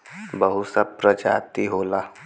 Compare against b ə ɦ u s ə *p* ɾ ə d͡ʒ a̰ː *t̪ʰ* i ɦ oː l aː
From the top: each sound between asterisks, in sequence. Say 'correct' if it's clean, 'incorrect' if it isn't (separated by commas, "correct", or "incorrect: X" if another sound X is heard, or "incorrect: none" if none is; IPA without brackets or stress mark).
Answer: correct, incorrect: t̪